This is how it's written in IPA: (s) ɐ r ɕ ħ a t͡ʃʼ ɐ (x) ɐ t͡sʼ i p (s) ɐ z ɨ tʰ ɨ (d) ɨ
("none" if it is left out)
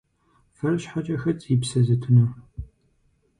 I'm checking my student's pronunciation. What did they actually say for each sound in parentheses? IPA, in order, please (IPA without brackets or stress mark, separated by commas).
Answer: f, x, s, n